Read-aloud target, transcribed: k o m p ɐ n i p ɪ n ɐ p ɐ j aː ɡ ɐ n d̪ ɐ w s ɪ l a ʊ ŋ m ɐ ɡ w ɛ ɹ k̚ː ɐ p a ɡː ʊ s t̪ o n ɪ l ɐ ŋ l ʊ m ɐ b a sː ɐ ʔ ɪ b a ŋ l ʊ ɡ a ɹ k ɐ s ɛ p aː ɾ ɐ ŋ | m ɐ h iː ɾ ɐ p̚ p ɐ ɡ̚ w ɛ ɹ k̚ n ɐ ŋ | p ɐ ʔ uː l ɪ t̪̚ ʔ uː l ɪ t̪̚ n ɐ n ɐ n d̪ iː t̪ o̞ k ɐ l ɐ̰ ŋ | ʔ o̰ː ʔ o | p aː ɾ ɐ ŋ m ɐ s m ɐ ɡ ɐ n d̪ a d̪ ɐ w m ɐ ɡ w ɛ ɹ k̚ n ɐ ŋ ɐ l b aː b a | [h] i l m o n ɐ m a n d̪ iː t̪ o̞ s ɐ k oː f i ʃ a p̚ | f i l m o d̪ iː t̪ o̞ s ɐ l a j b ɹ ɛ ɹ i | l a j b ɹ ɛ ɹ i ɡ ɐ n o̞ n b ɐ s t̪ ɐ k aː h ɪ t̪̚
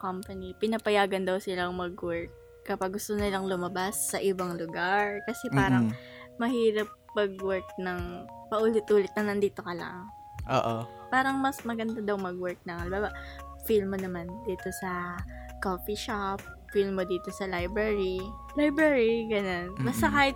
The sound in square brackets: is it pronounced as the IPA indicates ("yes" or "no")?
no